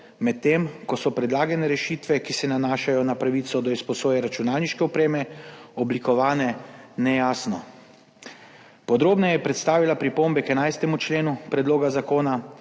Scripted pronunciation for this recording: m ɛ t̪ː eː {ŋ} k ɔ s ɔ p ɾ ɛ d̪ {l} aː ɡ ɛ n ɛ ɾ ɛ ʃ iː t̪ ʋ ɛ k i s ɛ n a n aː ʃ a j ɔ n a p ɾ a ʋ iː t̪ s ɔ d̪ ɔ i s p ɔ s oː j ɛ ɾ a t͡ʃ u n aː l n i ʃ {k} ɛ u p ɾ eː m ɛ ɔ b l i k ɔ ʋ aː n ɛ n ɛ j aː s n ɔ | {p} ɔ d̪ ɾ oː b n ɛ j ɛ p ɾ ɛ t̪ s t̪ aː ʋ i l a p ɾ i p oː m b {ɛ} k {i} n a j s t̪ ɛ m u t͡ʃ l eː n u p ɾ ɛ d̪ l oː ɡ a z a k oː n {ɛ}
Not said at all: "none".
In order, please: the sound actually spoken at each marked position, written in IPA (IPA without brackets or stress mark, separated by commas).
m, l, k, p, ɛ, ɛ, a